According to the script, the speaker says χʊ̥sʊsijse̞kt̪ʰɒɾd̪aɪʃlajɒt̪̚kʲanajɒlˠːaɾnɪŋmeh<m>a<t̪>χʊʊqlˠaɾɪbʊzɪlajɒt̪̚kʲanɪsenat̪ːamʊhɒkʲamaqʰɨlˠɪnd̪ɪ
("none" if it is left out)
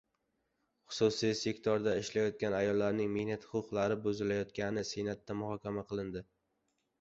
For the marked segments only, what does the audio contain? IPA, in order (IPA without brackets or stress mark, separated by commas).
n, t̪